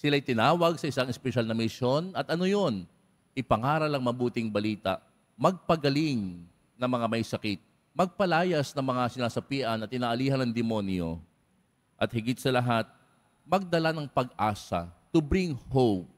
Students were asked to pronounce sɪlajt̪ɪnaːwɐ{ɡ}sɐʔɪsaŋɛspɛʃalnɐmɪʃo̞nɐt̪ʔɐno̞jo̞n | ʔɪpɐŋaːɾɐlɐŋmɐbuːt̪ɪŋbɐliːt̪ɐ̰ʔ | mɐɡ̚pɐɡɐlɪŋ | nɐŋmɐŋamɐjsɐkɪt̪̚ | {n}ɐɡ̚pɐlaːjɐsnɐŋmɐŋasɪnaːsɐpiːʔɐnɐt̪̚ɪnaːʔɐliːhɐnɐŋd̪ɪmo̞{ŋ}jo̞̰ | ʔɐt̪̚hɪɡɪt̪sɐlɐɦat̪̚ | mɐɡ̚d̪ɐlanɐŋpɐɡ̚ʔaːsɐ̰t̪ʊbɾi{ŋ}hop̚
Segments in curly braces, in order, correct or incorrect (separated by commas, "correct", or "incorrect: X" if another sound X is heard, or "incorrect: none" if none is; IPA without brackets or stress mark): correct, incorrect: m, incorrect: n, correct